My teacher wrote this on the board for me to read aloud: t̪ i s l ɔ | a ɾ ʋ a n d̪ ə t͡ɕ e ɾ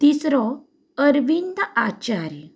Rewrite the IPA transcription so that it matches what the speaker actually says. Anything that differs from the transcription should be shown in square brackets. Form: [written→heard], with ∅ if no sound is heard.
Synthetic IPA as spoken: t̪ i s [l→ɾ] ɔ | [a→ə] ɾ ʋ [a→i] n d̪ [ə→a] t͡ɕ [e→a] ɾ